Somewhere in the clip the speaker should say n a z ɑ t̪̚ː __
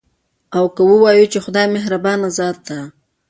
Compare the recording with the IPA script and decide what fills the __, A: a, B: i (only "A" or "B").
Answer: A